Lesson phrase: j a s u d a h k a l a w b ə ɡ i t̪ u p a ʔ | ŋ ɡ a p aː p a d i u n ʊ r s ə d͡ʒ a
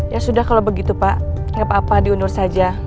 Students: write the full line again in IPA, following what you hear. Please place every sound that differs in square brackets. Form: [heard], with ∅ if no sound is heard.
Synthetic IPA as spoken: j a s u d a h k a l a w b ə ɡ i t̪ u p a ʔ | ŋ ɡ a p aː p a d i u n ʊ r s [a] d͡ʒ a